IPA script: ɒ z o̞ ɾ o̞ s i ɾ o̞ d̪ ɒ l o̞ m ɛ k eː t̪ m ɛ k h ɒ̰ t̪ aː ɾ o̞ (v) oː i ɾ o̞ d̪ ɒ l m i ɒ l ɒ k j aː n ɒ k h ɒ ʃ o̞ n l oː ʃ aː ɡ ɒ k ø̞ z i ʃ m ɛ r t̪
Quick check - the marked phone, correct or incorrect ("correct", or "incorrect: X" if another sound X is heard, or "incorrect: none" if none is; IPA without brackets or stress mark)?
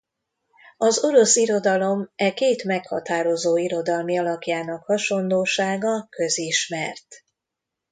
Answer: incorrect: z